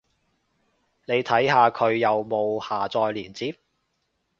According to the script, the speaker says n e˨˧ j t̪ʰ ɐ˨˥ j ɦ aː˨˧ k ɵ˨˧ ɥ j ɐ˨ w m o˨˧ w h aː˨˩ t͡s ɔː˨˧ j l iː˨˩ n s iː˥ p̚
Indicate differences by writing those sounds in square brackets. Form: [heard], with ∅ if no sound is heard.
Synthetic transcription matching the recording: n e˨˧ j t̪ʰ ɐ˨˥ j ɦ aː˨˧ [kʰ] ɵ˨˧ ɥ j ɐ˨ w m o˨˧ w h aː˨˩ t͡s ɔː˨˧ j l iː˨˩ n [t͡s] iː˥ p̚